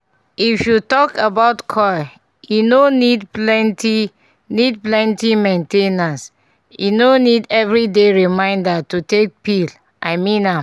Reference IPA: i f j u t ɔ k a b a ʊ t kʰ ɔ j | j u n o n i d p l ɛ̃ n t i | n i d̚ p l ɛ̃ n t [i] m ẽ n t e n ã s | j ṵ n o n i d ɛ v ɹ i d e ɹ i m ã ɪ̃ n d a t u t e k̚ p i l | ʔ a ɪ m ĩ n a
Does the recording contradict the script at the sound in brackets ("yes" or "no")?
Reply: no